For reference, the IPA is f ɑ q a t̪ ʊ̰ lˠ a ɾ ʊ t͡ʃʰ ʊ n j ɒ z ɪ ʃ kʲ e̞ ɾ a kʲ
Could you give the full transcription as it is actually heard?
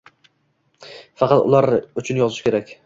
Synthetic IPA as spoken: f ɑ q ɑ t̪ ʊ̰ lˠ a ɾ ʊ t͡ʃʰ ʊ n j ɒ z ɪ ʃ kʲ e̞ ɾ a kʲ